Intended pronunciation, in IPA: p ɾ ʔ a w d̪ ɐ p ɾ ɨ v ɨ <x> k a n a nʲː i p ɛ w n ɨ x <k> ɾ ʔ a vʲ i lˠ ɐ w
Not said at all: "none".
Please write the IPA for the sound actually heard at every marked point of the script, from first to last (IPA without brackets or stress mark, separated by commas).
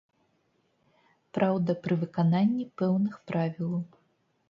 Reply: none, p